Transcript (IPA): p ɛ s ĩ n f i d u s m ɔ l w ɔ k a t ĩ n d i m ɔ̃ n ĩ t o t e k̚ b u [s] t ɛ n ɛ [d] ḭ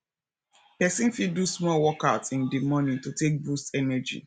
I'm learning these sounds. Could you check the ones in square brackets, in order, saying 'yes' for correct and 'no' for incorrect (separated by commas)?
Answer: yes, no